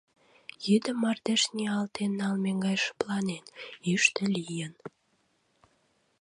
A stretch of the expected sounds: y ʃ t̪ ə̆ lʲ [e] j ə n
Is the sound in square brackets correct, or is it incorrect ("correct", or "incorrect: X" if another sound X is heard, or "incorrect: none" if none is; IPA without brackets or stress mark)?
incorrect: i